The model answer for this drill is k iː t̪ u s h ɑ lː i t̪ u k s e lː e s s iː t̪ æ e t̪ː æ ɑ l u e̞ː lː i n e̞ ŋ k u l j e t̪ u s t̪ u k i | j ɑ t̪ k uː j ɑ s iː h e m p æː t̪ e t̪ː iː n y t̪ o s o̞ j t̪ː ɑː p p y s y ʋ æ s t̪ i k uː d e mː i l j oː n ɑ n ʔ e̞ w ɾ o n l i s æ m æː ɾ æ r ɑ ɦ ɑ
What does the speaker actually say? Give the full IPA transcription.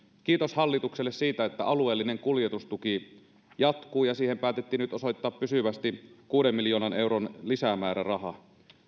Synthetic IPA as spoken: k iː t̪ o s h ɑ lː i t̪ u k s e lː e s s iː t̪ æ e t̪ː æ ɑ l u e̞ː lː i n e̞ ŋ k u l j e t̪ u s t̪ u k i | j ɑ t̪ k uː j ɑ s iː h e m p æː t̪ e t̪ː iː n y t̪ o s o̞ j t̪ː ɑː p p y s y ʋ æ s t̪ i k uː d e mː i l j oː n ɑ n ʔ e̞ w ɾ o n l i s æ m æː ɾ æ r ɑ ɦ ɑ